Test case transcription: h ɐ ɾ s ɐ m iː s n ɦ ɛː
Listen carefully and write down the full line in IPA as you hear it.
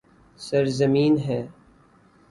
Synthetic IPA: s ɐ ɾ z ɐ m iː n ɦ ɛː